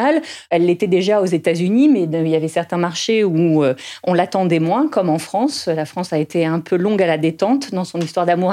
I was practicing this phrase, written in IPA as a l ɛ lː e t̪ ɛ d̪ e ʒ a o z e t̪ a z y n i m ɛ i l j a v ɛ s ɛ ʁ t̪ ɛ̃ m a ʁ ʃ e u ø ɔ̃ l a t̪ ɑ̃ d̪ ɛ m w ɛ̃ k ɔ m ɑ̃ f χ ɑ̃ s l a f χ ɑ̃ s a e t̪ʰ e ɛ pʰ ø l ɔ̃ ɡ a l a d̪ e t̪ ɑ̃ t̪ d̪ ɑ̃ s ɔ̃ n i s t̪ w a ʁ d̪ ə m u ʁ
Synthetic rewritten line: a l ɛ lː e t̪ ɛ d̪ e ʒ a o z e t̪ a z y n i m ɛ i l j a v ɛ s ɛ ʁ t̪ ɛ̃ m a ʁ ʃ e u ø ɔ̃ l a t̪ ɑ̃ d̪ ɛ m w ɛ̃ k ɔ m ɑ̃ f χ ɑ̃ s l a f χ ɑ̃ s a e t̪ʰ e ɛ̃ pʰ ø l ɔ̃ ɡ a l a d̪ e t̪ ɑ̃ t̪ d̪ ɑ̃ s ɔ̃ n i s t̪ w a ʁ d̪ a m u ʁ